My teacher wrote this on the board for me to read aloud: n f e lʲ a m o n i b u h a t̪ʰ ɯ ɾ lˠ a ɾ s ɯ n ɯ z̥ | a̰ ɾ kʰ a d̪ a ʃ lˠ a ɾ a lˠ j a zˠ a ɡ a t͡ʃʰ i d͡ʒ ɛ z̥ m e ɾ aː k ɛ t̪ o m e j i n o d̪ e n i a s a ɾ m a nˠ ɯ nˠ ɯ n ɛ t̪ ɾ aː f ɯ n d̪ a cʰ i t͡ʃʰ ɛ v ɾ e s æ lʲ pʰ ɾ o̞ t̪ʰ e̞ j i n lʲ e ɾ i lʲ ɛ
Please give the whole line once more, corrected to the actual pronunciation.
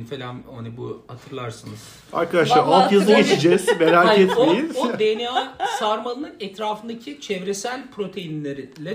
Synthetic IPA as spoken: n f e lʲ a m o n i b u h a t̪ʰ ɯ ɾ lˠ a ɾ s ɯ n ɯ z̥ | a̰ ɾ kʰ a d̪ a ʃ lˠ a ɾ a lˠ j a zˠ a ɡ e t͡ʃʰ i d͡ʒ ɛ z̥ m e ɾ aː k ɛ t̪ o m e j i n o d̪ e n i a s a ɾ m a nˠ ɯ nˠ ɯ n ɛ t̪ ɾ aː f ɯ n d̪ a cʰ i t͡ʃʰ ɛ v ɾ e s æ lʲ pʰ ɾ o̞ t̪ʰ e̞ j i n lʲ e ɾ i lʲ ɛ